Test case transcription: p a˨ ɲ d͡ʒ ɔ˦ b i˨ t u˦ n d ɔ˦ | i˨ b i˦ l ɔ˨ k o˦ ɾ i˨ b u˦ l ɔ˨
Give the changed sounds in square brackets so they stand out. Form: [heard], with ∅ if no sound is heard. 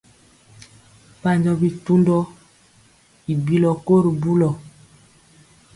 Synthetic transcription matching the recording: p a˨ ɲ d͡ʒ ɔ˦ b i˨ t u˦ n d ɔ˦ | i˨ b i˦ l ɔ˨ k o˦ ɾ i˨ b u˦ l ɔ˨